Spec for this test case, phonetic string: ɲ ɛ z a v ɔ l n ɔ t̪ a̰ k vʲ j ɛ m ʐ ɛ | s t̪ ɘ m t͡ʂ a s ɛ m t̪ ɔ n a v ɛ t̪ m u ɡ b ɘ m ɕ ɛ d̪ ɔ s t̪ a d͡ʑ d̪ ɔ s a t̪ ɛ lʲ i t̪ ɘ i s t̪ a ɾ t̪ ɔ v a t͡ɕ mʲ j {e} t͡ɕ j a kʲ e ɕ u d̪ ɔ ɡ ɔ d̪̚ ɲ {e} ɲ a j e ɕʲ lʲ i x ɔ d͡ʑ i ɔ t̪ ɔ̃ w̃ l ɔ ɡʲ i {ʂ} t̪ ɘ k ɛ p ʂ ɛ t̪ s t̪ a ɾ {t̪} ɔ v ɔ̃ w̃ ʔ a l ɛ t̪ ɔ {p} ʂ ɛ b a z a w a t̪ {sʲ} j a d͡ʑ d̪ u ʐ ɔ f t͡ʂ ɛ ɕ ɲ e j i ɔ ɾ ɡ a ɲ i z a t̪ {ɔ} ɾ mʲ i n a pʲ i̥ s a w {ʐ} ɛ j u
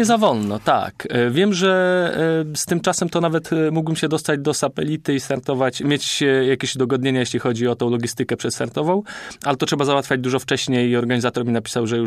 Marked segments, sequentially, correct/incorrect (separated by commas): correct, correct, incorrect, correct, incorrect, incorrect, correct, correct